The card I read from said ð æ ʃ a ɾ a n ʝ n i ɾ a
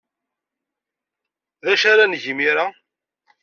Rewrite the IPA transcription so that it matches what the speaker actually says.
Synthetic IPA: ð æ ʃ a ɾ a n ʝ m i ɾ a